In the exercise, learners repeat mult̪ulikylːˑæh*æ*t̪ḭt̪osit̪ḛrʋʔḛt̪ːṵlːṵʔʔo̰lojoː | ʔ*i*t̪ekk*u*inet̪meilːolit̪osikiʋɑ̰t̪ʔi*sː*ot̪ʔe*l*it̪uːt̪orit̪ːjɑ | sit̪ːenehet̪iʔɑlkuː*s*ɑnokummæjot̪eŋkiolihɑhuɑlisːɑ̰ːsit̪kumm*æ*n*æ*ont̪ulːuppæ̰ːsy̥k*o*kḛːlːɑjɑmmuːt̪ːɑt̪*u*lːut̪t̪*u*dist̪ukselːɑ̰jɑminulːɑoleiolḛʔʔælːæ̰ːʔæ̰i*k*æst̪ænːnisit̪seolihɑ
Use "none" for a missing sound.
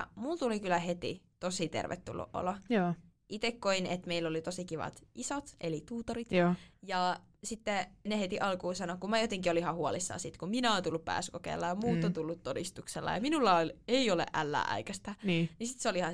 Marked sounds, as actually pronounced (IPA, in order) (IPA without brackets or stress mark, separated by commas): e, i, o, s, l, s, i, æ, o, u, o, k